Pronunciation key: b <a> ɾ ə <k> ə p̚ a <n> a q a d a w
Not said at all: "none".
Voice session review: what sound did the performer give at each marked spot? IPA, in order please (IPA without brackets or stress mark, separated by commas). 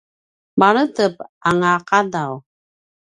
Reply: a, t, ŋ